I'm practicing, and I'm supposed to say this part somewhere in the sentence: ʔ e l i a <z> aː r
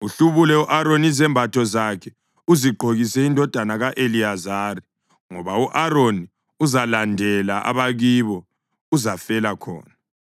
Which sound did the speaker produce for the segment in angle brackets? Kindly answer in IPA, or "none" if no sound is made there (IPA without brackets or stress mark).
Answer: z